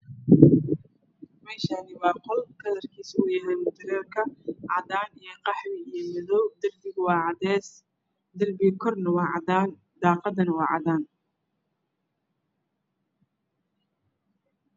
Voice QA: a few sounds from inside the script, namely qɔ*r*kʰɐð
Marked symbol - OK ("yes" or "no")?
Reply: no